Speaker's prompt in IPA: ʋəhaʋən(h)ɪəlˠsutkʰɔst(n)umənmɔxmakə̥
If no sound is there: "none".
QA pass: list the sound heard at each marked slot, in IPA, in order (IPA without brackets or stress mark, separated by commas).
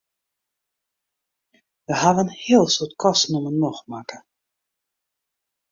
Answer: h, n